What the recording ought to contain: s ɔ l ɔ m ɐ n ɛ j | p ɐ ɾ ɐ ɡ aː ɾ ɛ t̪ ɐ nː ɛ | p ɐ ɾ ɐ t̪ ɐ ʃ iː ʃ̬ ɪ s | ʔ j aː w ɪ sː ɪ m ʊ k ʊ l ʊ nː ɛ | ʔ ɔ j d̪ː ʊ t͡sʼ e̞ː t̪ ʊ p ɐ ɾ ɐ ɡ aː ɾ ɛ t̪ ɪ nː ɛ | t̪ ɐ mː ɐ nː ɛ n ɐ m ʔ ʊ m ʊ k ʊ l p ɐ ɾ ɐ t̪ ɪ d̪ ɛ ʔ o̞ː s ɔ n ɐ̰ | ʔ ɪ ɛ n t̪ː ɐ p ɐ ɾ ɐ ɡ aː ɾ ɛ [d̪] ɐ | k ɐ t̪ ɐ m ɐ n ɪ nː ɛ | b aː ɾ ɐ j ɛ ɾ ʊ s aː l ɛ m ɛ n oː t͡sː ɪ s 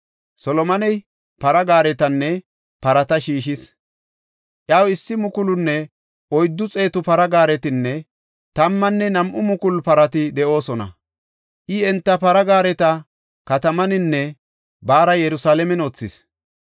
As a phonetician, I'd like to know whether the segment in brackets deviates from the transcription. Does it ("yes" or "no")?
yes